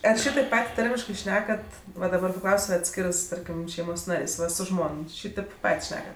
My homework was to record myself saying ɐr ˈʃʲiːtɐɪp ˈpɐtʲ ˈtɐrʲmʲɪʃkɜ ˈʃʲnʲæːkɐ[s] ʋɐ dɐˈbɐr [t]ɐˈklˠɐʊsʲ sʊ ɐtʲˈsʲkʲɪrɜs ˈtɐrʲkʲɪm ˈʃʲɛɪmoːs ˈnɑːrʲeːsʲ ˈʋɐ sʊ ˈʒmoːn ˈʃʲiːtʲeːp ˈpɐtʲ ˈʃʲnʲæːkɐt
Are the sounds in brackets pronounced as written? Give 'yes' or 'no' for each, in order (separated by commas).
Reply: no, no